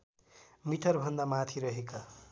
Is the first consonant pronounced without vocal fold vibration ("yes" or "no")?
no